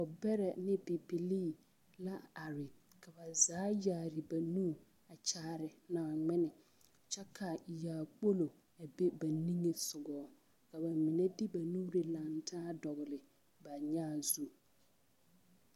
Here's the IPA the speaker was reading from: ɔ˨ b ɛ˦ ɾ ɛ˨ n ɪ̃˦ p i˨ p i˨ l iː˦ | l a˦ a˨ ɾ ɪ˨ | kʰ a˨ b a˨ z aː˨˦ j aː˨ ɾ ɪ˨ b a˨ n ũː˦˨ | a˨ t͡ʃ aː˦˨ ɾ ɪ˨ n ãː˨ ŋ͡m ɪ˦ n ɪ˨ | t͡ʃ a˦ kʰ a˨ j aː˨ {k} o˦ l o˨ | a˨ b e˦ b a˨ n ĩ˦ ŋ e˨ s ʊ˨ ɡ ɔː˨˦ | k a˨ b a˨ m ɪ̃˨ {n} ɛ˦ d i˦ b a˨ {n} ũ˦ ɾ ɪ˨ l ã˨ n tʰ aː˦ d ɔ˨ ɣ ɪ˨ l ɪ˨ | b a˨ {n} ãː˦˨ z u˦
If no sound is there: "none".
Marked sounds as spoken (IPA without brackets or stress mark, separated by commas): k͡p, n, n, ɲ